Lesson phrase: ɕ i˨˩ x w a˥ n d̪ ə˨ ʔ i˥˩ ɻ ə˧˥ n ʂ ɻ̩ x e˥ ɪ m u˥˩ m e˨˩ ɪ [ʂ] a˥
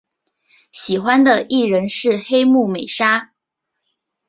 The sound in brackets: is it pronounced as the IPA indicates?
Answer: yes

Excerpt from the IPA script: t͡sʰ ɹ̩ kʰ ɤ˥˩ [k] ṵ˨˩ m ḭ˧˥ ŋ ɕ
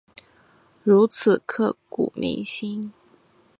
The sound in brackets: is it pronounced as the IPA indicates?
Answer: yes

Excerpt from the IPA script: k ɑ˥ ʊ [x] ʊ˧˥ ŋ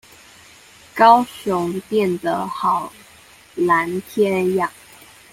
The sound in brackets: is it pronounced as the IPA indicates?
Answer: no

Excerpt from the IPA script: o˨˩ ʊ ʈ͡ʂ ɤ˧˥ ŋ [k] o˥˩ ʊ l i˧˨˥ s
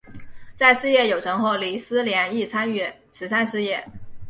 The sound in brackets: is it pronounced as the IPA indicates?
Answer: no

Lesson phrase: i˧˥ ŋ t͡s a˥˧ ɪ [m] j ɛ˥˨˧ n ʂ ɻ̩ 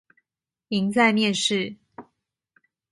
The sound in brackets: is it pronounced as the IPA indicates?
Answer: yes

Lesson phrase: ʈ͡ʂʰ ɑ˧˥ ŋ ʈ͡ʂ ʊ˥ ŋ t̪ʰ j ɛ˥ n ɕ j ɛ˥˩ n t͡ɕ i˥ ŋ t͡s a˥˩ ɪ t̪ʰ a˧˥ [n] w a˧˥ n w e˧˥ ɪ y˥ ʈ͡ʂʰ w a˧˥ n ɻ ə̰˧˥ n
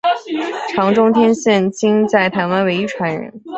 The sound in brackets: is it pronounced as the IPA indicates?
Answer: yes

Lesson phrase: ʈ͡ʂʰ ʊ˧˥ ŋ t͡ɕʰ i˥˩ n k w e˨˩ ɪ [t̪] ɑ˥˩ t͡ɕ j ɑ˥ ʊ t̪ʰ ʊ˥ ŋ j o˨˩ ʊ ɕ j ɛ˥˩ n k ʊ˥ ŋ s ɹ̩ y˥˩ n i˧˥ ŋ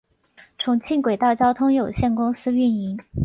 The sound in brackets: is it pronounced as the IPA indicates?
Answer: yes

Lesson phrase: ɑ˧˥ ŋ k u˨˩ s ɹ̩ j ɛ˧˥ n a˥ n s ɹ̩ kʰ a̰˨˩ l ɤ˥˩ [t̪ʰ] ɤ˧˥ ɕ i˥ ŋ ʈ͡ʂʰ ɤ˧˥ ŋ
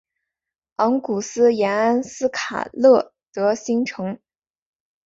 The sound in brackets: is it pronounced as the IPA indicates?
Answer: no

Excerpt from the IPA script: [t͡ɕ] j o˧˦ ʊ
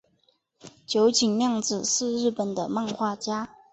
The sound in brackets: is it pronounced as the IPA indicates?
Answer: yes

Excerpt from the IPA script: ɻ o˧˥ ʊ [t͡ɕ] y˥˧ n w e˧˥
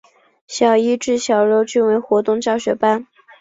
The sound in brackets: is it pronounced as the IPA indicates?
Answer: yes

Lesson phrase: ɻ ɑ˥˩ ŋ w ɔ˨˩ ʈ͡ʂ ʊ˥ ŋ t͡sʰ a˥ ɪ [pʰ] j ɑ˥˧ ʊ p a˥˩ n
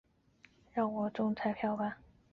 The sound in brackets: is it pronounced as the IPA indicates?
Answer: yes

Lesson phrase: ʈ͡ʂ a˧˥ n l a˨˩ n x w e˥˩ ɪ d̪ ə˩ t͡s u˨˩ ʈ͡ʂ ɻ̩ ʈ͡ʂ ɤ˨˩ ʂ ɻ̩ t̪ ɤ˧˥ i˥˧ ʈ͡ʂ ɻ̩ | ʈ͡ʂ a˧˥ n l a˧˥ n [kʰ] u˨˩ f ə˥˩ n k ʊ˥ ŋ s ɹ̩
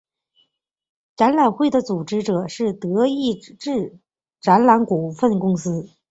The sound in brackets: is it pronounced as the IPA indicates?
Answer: no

